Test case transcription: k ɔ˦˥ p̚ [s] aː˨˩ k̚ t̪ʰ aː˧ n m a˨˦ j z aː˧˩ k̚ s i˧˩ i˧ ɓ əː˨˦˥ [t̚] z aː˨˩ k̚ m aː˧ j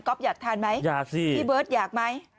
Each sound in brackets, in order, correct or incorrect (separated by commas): incorrect, correct